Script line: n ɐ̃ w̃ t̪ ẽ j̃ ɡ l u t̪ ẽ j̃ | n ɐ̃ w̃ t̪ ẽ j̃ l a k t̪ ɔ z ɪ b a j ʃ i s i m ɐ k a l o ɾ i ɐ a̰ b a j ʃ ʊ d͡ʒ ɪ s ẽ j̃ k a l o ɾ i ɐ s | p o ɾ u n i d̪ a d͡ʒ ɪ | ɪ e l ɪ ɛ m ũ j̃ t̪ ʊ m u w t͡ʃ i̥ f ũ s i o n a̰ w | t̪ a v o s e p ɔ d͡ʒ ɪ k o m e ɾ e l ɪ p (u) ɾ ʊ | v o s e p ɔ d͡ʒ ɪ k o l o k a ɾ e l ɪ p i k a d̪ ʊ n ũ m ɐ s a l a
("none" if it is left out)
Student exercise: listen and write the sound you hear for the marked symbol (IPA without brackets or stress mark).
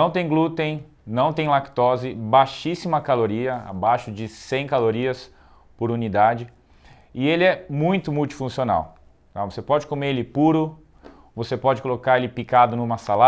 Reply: u